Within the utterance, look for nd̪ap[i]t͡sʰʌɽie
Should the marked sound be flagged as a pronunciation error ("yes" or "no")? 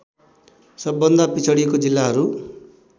no